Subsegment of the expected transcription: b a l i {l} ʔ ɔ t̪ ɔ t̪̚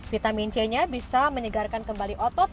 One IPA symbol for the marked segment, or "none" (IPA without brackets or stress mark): none